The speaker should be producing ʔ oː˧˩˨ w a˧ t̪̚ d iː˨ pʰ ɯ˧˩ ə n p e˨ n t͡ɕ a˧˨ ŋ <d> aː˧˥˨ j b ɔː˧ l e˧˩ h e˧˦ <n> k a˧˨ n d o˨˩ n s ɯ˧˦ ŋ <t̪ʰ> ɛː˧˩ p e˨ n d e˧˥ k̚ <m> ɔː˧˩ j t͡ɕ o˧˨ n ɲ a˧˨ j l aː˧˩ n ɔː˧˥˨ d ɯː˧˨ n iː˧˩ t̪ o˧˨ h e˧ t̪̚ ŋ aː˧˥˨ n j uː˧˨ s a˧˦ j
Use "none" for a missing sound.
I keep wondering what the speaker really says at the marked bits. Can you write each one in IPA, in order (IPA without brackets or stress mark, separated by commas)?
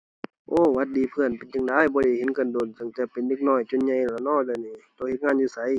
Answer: d, n, t̪, n